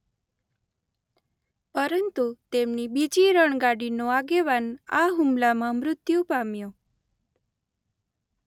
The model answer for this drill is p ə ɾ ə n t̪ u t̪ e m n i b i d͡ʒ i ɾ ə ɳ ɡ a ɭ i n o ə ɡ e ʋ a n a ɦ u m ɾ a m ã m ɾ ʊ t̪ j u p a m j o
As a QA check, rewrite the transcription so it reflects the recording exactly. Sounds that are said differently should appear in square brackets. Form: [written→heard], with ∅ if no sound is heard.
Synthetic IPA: p ə ɾ ə n t̪ u t̪ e m n i b i d͡ʒ i ɾ ə ɳ ɡ a [ɭ→ɽ] i n o [ə→a] ɡ e ʋ a n a ɦ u m [ɾ→l] a m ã m ɾ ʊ t̪ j u p a m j o